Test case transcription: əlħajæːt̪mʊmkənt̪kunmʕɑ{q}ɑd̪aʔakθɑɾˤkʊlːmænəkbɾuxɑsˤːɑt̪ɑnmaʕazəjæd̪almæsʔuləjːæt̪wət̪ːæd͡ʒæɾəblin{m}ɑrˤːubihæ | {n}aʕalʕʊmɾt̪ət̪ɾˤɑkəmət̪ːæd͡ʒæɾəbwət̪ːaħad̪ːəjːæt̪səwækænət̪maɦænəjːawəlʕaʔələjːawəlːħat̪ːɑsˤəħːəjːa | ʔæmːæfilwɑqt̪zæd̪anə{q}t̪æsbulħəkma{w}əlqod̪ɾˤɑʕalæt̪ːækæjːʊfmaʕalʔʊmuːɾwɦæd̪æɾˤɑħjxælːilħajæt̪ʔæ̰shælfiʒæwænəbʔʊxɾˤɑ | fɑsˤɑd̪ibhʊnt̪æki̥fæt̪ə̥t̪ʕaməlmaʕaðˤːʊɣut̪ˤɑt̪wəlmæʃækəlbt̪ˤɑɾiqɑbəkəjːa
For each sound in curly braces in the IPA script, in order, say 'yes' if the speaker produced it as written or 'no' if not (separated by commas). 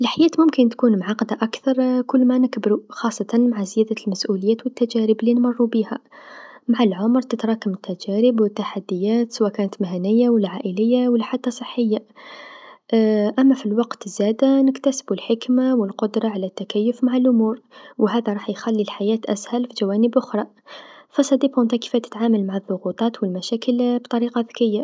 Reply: yes, yes, no, no, yes